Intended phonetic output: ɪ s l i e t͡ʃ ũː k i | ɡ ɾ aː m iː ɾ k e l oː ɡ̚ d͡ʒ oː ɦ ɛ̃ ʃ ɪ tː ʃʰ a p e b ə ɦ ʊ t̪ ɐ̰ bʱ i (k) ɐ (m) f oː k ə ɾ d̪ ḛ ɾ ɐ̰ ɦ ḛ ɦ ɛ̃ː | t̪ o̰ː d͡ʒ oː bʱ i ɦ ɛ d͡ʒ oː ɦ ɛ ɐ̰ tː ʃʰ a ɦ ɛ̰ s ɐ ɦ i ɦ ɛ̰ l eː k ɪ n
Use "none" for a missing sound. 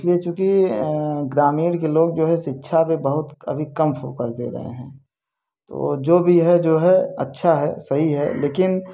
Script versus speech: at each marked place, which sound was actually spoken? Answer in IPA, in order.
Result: k, m

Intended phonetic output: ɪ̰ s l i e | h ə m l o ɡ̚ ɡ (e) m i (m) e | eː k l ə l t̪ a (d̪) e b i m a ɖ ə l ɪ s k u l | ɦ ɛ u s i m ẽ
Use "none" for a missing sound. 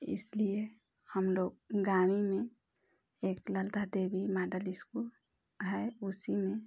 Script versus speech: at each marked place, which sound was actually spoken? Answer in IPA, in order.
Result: a, m, d̪

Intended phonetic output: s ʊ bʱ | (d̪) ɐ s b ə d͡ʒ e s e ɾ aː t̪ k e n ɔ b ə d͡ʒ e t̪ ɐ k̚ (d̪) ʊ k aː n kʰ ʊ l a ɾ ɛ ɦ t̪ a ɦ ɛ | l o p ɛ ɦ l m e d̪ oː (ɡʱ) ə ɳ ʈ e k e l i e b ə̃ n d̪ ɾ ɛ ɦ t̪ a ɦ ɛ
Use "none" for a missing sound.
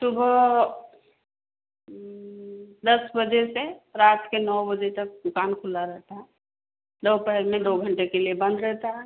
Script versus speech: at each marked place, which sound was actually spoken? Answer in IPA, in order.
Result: d̪, d̪, ɡʱ

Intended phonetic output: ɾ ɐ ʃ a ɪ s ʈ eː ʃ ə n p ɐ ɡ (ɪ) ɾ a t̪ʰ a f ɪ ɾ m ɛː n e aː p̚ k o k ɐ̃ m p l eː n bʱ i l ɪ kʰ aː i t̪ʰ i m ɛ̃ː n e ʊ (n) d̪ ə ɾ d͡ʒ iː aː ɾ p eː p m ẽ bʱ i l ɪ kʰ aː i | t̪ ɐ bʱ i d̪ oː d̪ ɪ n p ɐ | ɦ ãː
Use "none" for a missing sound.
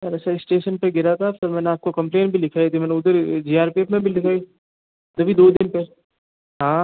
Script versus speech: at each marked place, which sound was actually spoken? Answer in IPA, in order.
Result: ɪ, none

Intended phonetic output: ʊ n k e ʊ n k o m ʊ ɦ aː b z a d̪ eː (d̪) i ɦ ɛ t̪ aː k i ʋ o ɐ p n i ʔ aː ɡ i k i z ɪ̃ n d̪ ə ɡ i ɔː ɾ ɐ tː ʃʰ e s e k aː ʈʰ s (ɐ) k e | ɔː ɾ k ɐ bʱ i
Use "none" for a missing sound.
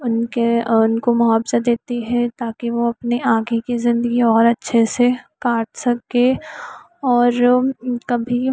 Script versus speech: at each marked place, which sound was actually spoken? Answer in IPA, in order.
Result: t̪, ɐ

